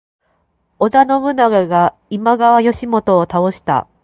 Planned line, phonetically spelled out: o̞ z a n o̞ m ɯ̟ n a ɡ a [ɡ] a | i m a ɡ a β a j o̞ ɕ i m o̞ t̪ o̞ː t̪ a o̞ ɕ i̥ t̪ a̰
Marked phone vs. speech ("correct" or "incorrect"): correct